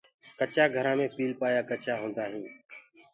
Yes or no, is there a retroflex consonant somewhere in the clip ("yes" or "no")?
no